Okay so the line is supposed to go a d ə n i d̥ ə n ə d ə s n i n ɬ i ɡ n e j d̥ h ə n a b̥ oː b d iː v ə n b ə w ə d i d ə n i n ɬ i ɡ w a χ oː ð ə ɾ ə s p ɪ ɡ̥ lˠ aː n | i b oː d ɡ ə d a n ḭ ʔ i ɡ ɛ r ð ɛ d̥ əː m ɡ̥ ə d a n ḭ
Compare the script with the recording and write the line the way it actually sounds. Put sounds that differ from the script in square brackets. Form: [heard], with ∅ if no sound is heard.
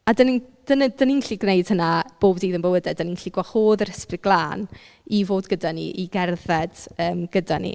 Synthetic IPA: a d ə n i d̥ ə n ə d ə [∅] n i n ɬ i ɡ n e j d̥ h ə n a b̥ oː b d iː [ð] ə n b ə w ə d [ɛ] d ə n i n ɬ i ɡ w a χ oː ð ə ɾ ə s p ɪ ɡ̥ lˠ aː n | i [v] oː d ɡ ə d a n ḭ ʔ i ɡ ɛ r ð ɛ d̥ əː m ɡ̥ ə d a n ḭ